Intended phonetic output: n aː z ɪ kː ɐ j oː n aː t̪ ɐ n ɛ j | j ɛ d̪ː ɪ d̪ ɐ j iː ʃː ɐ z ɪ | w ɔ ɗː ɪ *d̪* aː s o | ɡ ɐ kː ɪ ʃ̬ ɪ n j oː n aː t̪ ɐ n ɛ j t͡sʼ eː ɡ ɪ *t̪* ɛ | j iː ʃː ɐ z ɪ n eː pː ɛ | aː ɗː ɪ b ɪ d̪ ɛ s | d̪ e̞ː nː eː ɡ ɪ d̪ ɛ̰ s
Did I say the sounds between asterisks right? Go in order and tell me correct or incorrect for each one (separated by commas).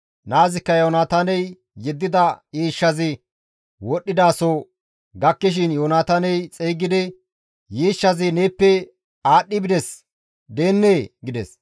correct, incorrect